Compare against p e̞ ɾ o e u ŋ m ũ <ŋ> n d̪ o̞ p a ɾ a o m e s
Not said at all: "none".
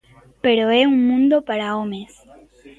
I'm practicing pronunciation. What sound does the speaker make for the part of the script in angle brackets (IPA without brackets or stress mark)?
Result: none